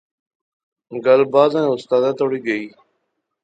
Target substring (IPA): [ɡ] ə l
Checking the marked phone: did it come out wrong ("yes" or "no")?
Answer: no